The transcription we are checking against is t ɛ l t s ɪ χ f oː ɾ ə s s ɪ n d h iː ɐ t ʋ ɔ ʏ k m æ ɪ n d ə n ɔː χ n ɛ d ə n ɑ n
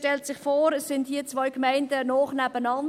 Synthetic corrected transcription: t ɛ l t s ɪ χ f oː ɾ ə s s ɪ n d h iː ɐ t͡s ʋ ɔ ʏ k m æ ɪ n d ə n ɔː χ n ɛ b ə n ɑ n

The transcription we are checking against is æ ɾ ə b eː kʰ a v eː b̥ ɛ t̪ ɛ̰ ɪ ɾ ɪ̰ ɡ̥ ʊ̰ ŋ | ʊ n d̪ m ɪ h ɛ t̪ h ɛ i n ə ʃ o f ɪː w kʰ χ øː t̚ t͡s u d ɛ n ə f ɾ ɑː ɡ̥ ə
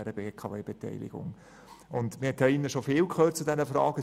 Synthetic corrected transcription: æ ɾ ə b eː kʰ ɑ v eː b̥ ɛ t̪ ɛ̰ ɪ l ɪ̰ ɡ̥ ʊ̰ ŋ | ʊ n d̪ m ɪ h ɛ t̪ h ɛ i n ə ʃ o f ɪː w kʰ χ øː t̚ t͡s u d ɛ n ə f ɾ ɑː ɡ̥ ə

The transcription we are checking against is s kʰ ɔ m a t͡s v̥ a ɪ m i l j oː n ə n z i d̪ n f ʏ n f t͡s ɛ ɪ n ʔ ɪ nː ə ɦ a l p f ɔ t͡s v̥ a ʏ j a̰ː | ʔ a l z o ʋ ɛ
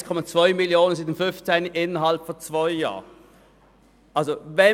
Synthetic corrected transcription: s kʰ ɔ m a t͡s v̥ a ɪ m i l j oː n ə n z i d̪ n f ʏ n f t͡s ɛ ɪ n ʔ ɪ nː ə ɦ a l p f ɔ t͡s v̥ a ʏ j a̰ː | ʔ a l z o v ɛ

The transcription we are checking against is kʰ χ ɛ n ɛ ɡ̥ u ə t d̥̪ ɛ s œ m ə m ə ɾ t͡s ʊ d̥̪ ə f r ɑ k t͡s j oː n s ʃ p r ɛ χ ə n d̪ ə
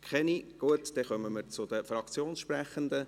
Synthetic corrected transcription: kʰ χ ɛ n i ɡ̥ u ə t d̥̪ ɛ χ œ m ə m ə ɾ t͡s ʊ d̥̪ ə f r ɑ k t͡s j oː n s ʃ p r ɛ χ ə n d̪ ə

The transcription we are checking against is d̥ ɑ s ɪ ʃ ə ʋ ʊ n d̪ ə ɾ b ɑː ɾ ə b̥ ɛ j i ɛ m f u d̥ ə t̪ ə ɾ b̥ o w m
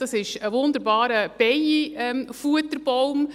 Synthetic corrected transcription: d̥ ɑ s ɪ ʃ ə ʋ ʊ n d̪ ə ɾ b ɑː ɾ ə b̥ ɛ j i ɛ m f u ə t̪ ə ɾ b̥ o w m

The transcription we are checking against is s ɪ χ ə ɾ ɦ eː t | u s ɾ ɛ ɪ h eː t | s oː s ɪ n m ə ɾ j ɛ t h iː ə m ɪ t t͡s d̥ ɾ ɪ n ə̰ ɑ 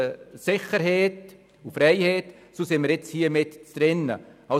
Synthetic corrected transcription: s ɪ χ ə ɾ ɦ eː t | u f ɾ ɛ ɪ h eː t | s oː s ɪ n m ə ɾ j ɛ t͡s h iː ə m ɪ t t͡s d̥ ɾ ɪ n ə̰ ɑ

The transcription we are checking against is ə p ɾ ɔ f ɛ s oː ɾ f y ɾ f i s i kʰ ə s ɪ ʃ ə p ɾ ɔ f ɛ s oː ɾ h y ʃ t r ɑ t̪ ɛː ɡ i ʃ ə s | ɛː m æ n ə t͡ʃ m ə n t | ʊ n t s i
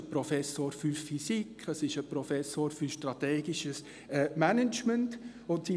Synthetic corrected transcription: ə p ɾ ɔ f ɛ s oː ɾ f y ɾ f i s i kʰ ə s ɪ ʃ ə p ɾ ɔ f ɛ s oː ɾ f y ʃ t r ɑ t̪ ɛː ɡ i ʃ ə s | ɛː m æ n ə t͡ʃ m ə n t | ʊ n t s i

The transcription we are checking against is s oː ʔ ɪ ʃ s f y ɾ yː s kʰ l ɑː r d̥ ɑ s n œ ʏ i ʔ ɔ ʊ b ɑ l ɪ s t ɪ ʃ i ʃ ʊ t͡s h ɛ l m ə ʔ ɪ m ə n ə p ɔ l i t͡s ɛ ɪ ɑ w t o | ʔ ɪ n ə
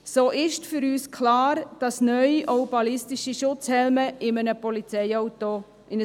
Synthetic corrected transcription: s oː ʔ ɪ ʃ t f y ɾ yː s kʰ l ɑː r d̥ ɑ s n œ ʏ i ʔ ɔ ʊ b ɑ l ɪ s t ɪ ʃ i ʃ ʊ t͡s h ɛ l m ə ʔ ɪ m ə n ə p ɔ l i t͡s ɛ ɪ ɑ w t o | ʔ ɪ n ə

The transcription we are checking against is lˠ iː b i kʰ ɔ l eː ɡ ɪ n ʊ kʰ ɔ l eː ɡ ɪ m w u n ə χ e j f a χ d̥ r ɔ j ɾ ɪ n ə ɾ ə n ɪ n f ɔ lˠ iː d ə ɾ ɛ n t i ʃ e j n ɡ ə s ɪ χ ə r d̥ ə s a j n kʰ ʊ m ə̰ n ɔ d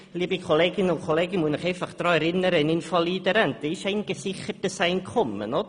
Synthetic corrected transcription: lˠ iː b i kʰ ɔ l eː ɡ ɪ n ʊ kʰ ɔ l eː ɡ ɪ m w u n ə χ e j f a χ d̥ r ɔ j ɾ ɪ n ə ɾ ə n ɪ n f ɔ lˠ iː d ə ɾ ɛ n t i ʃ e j n ɡ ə s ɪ χ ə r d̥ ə s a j n kʰ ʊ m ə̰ n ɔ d

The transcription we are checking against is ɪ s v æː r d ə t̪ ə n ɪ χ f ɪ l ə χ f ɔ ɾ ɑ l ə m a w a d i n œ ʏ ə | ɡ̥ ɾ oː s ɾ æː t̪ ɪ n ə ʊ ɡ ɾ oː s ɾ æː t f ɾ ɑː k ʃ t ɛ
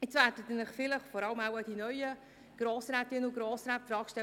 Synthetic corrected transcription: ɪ t͡s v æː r d ə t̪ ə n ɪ χ f ɪ l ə χ f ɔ ɾ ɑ l ə m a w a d i n œ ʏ ə | ɡ̥ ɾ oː s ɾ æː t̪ ɪ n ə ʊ ɡ ɾ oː s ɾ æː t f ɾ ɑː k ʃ t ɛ

